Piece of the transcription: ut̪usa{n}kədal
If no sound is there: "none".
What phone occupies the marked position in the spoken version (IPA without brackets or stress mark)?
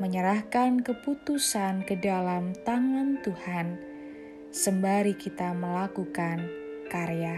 n